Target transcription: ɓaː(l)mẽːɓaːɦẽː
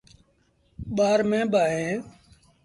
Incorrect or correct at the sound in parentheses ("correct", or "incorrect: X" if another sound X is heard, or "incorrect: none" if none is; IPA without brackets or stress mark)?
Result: incorrect: ɾ